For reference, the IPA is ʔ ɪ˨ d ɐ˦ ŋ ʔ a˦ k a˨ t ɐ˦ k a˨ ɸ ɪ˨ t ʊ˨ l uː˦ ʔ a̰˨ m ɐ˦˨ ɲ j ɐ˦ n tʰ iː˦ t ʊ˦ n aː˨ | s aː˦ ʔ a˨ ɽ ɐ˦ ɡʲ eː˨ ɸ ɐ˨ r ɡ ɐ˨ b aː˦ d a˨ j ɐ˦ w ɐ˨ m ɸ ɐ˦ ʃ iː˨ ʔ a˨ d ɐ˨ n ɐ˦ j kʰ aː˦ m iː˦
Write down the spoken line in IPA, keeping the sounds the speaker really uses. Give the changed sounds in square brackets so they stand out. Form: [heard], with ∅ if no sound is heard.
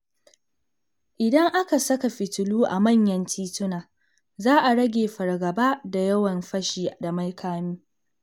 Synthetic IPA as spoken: ʔ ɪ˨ d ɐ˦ ŋ ʔ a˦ k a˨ [s] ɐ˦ k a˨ ɸ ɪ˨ t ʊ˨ l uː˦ ʔ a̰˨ m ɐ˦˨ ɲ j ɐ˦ n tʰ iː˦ t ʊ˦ n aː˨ | [z] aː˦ ʔ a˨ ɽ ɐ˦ ɡʲ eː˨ ɸ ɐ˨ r ɡ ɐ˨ b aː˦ d a˨ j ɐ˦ w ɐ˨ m ɸ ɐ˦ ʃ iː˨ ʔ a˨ d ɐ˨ [m] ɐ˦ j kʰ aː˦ m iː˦

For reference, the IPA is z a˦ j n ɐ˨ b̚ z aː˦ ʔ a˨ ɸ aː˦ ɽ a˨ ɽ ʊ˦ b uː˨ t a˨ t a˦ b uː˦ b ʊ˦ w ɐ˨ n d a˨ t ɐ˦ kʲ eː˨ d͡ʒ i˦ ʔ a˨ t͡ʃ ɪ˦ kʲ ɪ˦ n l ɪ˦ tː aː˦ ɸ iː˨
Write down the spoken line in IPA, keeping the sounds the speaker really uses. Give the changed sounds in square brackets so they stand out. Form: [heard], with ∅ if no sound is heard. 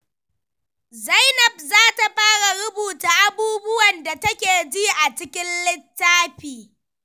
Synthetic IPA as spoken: z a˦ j n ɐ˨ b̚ z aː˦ [t] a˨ ɸ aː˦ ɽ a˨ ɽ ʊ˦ b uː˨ t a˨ [ʔ] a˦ b uː˦ b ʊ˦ w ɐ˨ n d a˨ t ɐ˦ kʲ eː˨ d͡ʒ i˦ ʔ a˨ t͡ʃ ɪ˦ kʲ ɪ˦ n l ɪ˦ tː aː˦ ɸ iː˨

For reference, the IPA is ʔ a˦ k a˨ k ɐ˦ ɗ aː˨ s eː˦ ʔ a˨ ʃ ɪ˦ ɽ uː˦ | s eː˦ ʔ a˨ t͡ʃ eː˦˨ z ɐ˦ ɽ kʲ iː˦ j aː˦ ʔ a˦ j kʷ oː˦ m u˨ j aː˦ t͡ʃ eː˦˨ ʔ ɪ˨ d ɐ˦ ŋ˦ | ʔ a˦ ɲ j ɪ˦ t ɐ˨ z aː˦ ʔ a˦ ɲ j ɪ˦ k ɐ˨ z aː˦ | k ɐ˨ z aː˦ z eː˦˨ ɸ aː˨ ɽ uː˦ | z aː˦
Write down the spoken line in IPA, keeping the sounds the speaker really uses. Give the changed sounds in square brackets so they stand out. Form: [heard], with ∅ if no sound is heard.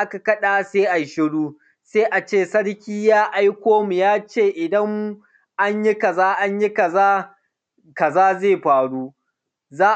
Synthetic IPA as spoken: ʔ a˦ k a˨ k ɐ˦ ɗ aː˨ s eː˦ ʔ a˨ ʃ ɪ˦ ɽ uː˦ | s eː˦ ʔ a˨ t͡ʃ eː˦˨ [s] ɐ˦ ɽ kʲ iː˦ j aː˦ ʔ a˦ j kʷ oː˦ m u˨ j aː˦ t͡ʃ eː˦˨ ʔ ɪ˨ d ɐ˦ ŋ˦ | ʔ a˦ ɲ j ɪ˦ [k] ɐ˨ z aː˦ ʔ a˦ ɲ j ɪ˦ k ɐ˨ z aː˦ | k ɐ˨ z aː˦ z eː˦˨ ɸ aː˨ ɽ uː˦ | z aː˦

